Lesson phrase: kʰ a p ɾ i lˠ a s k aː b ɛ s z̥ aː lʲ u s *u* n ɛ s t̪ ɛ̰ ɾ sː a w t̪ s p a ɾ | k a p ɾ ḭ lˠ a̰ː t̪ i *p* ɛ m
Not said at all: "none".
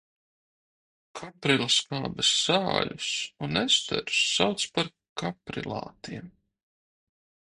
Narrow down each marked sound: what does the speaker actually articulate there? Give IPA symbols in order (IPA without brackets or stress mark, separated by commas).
u, none